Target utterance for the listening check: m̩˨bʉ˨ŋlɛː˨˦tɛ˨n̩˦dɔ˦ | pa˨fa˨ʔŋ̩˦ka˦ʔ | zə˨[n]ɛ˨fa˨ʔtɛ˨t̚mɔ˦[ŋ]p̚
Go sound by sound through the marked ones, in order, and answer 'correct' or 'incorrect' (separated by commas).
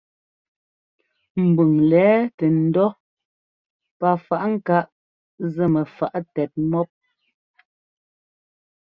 incorrect, incorrect